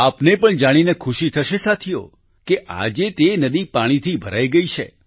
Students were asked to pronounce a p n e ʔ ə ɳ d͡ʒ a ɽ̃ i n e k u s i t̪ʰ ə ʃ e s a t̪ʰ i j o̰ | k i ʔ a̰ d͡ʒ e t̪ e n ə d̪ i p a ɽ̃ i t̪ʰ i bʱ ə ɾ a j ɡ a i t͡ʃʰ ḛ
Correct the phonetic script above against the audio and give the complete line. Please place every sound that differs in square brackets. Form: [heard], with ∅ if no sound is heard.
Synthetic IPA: a p n e [p] ə ɳ d͡ʒ a ɽ̃ i n e [kʰ] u [ʃ] i t̪ʰ ə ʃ e s a t̪ʰ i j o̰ | k [e] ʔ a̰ d͡ʒ e t̪ e n ə d̪ i p a ɽ̃ i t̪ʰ i bʱ ə ɾ a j ɡ [ə] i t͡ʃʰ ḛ